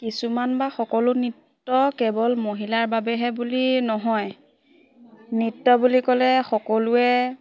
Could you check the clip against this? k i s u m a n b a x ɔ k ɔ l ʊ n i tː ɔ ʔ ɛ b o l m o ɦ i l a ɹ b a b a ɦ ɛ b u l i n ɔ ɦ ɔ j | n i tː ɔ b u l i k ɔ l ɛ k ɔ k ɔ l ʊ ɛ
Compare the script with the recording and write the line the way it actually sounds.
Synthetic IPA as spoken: k i s u m a n b a x ɔ k ɔ l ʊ n i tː ɔ k ɛ b ɔ l m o ɦ i l a ɹ b a b ɛ ɦ ɛ b u l i n ɔ ɦ ɔ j | n i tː ɔ b u l i k ɔ l ɛ x ɔ k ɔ l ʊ ɛ